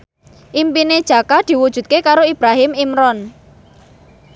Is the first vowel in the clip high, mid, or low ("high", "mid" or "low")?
high